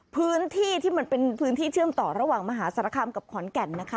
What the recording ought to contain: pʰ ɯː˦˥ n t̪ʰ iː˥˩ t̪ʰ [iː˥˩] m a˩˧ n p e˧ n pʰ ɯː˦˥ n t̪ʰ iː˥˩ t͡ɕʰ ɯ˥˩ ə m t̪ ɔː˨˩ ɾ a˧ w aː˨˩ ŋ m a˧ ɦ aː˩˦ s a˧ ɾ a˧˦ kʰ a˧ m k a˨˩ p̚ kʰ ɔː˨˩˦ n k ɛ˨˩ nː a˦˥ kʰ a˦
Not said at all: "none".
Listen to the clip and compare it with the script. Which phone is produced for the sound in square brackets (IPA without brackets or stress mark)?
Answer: iː˥˩